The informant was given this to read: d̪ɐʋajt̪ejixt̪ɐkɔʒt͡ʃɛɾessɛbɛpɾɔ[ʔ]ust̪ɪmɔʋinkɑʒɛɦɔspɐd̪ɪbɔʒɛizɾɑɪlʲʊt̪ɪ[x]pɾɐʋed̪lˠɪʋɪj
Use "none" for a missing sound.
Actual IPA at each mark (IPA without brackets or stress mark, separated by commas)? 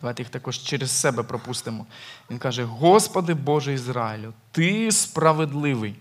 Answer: p, s